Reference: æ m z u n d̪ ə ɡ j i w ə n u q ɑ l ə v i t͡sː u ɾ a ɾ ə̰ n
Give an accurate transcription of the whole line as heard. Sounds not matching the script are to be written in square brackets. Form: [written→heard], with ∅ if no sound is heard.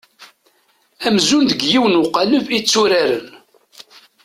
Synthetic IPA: æ m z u n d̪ ə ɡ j i w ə n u q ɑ l ə v i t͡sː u ɾ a ɾ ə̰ n

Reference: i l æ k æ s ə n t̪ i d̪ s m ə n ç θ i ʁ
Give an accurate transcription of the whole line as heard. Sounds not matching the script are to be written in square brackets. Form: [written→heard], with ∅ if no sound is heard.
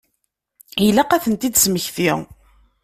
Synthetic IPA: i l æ [k→q] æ [s→θ] ə n t̪ i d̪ s m ə [n→∅] ç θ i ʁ

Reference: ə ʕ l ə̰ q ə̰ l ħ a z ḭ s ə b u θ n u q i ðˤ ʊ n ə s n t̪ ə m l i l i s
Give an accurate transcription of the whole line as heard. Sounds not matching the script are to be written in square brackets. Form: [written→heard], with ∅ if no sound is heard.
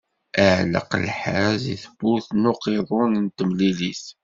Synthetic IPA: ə ʕ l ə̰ q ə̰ l ħ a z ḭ [s→θ] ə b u θ n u q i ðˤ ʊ n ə [s→∅] n t̪ ə m l i l i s

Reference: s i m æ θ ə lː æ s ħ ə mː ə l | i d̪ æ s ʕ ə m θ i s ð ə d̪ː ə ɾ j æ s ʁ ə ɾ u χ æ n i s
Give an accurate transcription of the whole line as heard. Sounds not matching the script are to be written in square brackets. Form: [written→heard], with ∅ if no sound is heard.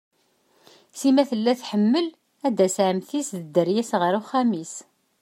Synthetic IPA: s i m æ θ ə lː æ [s→θ] ħ ə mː ə l | [i→æ] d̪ æ s ʕ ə m θ i s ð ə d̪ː ə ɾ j æ s ʁ ə ɾ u χ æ [n→m] i s

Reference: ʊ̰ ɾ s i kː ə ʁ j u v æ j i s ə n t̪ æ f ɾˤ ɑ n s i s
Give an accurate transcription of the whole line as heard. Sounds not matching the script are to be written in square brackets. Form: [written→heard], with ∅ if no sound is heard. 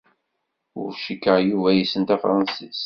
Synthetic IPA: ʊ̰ ɾ [s→ʃ] i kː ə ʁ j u v æ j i s ə n t̪ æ f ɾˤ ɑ n s i s

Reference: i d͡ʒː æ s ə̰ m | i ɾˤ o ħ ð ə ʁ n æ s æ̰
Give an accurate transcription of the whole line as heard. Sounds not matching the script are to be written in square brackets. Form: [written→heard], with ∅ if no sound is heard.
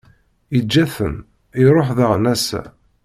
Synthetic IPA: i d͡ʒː æ [s→θ] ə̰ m | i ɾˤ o ħ ð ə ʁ n æ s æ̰

